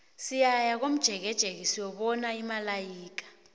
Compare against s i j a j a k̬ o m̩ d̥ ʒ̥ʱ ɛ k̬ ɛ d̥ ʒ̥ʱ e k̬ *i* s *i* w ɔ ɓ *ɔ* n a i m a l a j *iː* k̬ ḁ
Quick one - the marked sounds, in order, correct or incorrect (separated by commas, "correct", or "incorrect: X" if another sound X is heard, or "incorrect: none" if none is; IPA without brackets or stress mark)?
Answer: correct, correct, correct, correct